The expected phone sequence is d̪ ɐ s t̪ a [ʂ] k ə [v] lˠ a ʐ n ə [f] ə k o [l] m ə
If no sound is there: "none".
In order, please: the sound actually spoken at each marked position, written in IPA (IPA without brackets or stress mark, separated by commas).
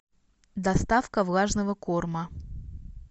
f, v, v, r